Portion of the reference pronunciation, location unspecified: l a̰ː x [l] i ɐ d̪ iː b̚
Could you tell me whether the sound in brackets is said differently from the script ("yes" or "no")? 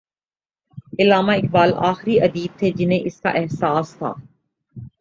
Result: yes